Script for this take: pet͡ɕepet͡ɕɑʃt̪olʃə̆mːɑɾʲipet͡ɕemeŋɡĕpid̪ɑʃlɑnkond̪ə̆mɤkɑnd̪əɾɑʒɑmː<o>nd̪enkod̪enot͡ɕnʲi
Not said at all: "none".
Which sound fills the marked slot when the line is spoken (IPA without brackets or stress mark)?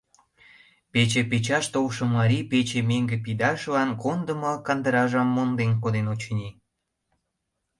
o